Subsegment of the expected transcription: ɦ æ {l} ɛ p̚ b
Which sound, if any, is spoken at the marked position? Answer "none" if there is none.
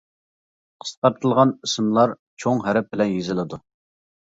ɾ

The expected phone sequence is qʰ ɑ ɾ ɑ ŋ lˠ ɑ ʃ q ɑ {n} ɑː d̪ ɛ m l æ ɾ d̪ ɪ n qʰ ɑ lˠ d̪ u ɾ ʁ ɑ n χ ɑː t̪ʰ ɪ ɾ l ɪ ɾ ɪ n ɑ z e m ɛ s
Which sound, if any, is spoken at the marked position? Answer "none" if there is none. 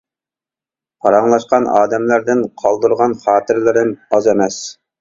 n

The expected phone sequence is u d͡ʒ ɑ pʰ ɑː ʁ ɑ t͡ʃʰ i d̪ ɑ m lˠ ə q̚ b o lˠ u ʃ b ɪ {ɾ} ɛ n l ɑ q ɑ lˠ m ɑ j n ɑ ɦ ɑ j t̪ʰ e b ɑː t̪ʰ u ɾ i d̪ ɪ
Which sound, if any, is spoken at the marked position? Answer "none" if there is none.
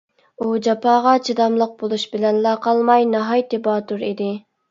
l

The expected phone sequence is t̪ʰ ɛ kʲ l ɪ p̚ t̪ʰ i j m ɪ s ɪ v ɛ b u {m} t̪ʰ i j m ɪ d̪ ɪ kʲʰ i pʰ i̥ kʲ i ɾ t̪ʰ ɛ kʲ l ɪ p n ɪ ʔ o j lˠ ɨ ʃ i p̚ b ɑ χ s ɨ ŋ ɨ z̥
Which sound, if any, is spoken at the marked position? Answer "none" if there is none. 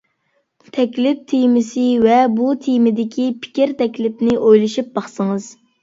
none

